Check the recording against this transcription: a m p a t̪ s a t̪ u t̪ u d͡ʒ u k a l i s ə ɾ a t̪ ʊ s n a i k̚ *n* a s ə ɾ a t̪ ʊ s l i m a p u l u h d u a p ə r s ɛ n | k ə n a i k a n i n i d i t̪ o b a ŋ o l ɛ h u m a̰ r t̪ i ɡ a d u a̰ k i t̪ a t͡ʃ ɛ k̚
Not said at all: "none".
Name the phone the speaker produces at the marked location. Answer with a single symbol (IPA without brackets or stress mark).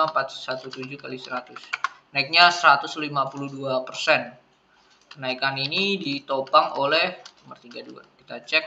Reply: ɲ